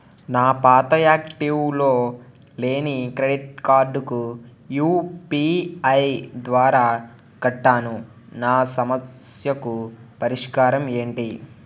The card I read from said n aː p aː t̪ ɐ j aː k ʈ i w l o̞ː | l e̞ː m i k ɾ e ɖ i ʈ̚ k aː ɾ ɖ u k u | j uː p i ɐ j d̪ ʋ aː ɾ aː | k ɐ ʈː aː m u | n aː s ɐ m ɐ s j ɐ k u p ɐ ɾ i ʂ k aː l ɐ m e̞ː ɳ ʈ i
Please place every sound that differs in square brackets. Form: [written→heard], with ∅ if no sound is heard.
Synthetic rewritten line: n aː p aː t̪ ɐ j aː k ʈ i w l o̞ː | l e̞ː [m→n] i k ɾ e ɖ i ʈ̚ k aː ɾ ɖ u k u | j uː p i ɐ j d̪ ʋ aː ɾ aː | k ɐ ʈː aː [m→n] u | n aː s ɐ m ɐ s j ɐ k u p ɐ ɾ i ʂ k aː [l→ɾ] ɐ m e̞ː ɳ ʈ i